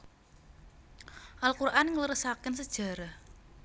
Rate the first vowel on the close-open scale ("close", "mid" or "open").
open